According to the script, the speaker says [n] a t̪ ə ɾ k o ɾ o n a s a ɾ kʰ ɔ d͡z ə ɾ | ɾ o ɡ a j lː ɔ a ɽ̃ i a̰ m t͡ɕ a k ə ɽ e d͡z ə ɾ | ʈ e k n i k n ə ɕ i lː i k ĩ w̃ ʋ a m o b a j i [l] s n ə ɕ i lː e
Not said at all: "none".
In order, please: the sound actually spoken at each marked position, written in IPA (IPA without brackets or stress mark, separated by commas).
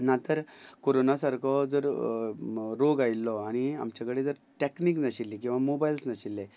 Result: n, l